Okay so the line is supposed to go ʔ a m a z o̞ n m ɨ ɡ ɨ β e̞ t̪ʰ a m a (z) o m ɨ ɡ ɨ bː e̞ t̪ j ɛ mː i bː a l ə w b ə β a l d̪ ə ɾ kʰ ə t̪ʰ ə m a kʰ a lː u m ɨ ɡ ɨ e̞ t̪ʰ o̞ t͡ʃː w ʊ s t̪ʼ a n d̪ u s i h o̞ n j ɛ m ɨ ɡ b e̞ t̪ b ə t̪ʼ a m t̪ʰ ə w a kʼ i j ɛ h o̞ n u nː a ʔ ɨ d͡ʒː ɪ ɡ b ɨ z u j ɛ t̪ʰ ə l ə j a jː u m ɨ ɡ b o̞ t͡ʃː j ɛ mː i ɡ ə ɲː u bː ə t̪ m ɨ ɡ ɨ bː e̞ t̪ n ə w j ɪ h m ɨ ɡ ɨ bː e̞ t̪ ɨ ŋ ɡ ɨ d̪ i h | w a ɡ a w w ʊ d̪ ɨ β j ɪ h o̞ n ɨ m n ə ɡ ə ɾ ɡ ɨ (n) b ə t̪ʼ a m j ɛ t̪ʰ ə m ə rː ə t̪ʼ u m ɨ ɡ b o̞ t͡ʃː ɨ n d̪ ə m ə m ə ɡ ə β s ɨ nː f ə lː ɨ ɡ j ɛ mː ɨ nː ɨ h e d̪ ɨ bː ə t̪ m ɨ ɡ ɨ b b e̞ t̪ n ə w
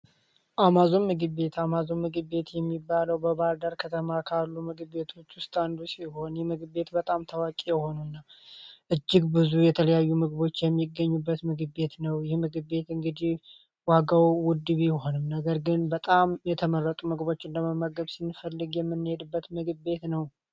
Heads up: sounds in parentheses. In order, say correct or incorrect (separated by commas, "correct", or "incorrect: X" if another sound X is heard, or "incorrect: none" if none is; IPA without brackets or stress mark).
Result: correct, correct